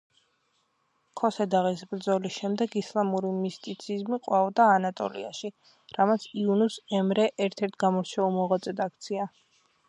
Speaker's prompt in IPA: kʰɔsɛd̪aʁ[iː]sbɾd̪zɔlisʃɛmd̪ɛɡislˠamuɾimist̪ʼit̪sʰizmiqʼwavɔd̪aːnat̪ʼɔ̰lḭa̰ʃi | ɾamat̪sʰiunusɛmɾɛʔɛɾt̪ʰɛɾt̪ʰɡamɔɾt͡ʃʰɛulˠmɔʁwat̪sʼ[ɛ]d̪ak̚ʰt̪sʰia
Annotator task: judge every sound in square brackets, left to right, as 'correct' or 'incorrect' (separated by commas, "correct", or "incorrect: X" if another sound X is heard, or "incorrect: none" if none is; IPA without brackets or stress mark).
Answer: incorrect: i, correct